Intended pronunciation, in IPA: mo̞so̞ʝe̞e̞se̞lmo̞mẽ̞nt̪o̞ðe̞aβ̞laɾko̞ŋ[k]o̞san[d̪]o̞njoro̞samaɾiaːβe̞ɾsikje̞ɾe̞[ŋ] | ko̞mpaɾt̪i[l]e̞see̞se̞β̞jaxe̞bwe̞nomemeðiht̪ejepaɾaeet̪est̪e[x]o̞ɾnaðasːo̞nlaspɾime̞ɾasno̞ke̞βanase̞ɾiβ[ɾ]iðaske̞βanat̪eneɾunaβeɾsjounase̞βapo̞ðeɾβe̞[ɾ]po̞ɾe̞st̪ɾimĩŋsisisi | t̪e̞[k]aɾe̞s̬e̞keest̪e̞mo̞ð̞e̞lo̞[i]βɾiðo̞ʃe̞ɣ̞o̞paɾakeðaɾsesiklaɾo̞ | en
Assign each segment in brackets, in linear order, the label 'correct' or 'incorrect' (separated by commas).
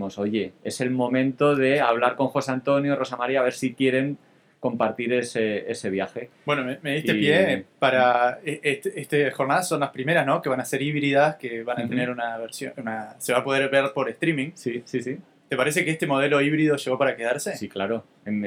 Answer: incorrect, incorrect, correct, incorrect, correct, correct, correct, incorrect, correct